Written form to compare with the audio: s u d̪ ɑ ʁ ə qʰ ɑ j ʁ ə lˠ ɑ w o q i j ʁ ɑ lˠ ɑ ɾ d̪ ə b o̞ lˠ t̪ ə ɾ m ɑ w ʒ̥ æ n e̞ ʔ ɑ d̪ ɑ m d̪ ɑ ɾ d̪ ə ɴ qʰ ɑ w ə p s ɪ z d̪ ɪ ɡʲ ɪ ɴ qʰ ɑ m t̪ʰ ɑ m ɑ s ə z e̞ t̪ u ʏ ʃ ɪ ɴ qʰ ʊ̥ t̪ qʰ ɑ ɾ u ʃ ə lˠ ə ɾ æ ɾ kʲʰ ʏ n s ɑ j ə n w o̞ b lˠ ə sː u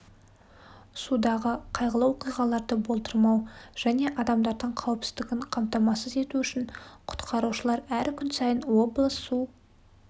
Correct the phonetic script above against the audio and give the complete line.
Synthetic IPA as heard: s u d̪ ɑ ʁ ə qʰ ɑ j ʁ ə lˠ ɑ w o q i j ʁ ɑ lˠ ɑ ɾ d̪ ə b o̞ lˠ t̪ ə ɾ m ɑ w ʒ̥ æ n e̞ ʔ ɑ d̪ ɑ m d̪ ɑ ɾ d̪ ə ɴ qʰ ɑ w ə p s ɪ z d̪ ɪ ɡʲ ɪ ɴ qʰ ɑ m t̪ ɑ m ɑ s ə z e̞ t̪ u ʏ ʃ ɪ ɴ qʰ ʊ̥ t̪ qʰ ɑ ɾ u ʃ ə lˠ ɑ ɾ æ ɾ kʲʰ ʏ n s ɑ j ə n w o̞ b lˠ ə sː u

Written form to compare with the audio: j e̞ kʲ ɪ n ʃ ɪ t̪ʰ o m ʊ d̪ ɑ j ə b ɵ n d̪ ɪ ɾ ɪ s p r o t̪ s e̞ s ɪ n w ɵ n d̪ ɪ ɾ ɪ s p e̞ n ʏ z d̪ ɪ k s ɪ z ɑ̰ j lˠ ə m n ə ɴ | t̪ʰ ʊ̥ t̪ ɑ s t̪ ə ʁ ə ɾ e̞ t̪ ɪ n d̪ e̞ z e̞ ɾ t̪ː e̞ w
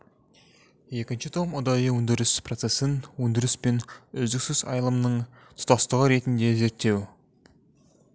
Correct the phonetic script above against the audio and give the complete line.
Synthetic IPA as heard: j e̞ kʲ ɪ n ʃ ɪ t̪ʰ o m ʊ d̪ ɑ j ə w ɵ n d̪ ɪ ɾ ɪ s p r o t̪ s e̞ s ɪ n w ɵ n d̪ ɪ ɾ ɪ s p e̞ n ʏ z d̪ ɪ k s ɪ z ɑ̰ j lˠ ə m n ə ɴ | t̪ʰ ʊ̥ t̪ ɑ s t̪ ə ʁ ə ɾ e̞ t̪ ɪ n d̪ e̞ z e̞ ɾ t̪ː e̞ w

